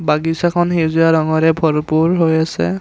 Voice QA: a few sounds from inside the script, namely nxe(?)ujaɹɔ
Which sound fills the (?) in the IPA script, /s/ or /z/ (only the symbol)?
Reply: z